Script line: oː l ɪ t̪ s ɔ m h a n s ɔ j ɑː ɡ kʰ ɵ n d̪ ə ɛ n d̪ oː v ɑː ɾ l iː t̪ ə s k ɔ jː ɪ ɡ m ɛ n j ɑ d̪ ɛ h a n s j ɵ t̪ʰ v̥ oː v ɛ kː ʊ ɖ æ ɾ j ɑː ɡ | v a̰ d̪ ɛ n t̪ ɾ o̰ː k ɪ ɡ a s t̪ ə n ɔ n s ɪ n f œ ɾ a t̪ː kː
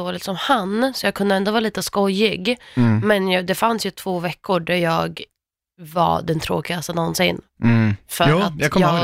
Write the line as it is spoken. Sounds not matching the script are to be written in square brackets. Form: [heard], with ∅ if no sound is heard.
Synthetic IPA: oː l ɪ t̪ s ɔ m h a n s ɔ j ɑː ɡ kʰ ɵ n d̪ ə ɛ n d̪ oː v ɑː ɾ l iː t̪ ə s k ɔ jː ɪ ɡ m ɛ n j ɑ d̪ ɛ [f] a n s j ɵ t̪ʰ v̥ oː v ɛ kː ʊ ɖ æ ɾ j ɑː ɡ | v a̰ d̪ ɛ n [t̪ʰ] ɾ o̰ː k ɪ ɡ a s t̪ ə n ɔ n s ɪ n f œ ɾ a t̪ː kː